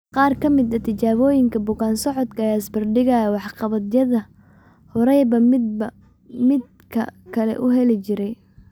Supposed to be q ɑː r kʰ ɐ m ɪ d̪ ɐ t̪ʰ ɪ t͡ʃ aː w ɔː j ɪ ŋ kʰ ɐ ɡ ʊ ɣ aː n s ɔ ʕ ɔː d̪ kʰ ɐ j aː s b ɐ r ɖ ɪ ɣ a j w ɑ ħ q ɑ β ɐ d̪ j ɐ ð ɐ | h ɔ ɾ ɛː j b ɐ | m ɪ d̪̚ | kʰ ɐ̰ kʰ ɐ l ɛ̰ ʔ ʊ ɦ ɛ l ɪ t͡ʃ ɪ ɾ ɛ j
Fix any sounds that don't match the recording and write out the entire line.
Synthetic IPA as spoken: q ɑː r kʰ ɐ m ɪ d̪ ɐ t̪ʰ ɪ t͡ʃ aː β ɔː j ɪ ŋ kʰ ɐ b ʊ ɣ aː n s ɔ ʕ ɔ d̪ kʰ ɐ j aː s b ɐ r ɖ ɪ ɣ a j w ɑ ħ q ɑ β ɐ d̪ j ɐ ð ɐ | h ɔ ɾ ɛ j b ɐ | m ɪ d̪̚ | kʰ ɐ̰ kʰ ɐ l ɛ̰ ʔ ʊ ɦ ɛ l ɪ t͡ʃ ɪ ɾ ɛ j

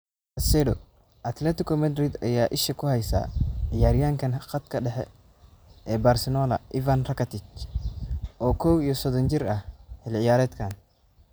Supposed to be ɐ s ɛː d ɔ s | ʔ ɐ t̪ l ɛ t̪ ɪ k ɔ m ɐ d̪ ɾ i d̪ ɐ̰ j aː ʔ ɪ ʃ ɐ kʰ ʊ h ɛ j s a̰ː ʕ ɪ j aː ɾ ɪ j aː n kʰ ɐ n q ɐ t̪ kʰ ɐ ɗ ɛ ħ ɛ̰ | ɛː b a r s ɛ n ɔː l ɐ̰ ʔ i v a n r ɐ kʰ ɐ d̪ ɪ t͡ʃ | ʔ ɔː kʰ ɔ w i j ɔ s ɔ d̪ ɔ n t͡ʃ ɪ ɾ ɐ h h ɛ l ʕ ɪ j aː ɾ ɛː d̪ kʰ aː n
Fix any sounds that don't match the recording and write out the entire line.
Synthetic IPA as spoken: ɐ s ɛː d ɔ | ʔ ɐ t̪ l ɛ t̪ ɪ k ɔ m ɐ d̪ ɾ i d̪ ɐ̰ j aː ʔ ɪ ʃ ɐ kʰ ʊ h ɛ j s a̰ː ʕ ɪ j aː ɾ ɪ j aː ŋ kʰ ɐ n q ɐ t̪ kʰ ɐ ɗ ɛ ħ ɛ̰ | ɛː b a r s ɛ n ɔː l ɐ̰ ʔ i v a n r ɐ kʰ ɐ t̪ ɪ t͡ʃ | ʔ ɔː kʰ ɔ w i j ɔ s ɔ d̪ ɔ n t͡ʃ ɪ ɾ ɐ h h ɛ l ʕ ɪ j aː ɾ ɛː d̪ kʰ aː n

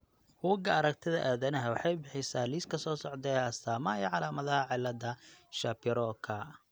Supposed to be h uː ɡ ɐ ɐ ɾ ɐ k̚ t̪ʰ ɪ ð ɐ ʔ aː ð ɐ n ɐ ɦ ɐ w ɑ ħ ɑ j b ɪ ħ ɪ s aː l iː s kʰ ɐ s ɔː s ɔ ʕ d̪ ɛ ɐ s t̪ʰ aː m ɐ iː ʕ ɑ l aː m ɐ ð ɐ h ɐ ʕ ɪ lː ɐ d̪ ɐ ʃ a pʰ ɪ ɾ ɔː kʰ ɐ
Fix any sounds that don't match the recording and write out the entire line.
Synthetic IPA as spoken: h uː ɡ ɐ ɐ ɾ ɐ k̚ t̪ʰ ɪ ð ɐ ʔ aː ð ɐ n ɐ ɦ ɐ w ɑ ħ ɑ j b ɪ ħ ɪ s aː l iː s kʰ ɐ s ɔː s ɔ ʕ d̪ ɛ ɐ s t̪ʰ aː m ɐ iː ʕ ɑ l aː m ɐ ð ɐ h ɐ ʕ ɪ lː ɐ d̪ ɐ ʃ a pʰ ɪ ɾ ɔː kʰ ɐ

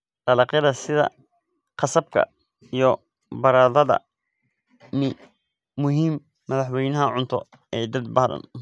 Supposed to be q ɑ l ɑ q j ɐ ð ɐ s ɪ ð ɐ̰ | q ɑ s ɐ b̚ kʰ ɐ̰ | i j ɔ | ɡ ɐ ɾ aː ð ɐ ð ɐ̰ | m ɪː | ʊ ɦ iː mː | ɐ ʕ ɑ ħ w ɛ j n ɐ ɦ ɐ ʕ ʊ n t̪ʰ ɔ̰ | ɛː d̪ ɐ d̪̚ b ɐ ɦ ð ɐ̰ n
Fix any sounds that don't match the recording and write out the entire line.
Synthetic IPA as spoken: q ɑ l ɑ q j ɐ ð ɐ s ɪ ð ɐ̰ | q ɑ s ɐ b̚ kʰ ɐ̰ | i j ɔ | b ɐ ɾ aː ð ɐ ð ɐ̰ | m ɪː | ʊ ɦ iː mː | ɐ ð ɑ ħ w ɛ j n ɐ ɦ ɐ ʕ ʊ n t̪ʰ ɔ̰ | ɛː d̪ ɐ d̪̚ b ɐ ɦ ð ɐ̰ n

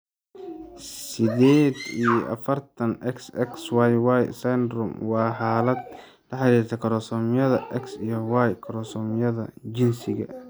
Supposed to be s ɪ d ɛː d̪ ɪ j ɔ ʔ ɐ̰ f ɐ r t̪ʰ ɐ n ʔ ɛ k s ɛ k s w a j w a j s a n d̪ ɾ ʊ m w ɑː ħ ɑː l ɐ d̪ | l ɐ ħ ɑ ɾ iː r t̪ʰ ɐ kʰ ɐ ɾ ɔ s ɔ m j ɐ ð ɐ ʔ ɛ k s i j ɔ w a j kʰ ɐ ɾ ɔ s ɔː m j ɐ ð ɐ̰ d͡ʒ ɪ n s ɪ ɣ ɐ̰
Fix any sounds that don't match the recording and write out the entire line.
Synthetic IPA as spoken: s ɪ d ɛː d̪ i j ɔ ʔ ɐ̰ f ɐ r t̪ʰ ɐ n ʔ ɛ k s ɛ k s w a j w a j s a n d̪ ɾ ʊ m w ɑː ħ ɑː l ɐ d̪ | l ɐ ħ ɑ ɾ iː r t̪ʰ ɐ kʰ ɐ ɾ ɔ s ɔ m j ɐ ð ɐ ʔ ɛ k s i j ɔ w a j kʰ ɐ ɾ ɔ s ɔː m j ɐ ð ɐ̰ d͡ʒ ɪ n s ɪ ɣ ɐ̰

